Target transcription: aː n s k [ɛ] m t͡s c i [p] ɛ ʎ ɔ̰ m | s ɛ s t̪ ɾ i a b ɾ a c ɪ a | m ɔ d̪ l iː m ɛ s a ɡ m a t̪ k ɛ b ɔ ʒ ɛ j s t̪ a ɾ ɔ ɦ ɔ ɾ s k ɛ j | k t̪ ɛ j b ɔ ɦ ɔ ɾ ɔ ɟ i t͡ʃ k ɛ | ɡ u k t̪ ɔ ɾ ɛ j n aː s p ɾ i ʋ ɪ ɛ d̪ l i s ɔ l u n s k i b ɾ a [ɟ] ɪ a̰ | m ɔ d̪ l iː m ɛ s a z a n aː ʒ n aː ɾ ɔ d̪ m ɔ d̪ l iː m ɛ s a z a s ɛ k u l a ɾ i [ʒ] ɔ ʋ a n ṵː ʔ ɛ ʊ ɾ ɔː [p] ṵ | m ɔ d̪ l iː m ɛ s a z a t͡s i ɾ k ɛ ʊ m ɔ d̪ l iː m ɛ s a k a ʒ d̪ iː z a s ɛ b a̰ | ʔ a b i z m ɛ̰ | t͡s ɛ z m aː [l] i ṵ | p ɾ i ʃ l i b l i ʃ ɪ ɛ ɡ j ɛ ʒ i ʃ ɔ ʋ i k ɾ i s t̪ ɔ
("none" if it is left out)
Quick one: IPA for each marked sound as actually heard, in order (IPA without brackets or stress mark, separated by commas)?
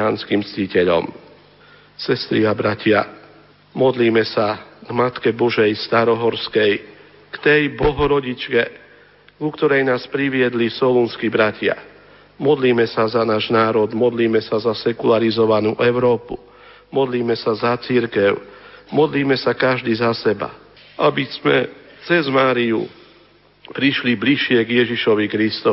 i, c, c, z, p, ɾ